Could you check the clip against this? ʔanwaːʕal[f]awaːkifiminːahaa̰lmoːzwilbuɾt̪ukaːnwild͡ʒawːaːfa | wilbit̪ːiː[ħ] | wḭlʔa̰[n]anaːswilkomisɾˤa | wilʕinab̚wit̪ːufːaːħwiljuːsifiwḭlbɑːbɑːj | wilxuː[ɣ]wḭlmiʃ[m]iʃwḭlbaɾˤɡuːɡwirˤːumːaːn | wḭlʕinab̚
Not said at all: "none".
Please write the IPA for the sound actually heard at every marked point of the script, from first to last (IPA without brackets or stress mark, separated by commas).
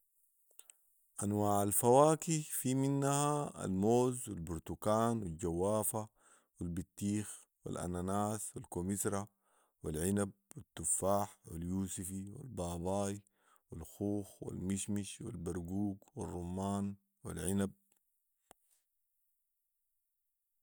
f, x, n, x, m